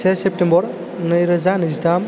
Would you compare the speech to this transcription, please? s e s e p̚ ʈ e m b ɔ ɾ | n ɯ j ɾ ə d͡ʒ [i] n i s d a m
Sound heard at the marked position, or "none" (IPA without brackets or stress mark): a